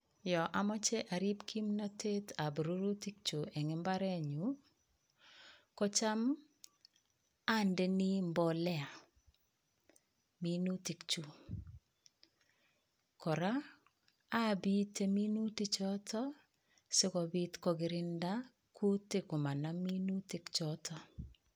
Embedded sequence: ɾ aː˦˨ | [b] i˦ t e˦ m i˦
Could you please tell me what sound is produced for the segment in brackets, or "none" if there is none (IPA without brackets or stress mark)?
b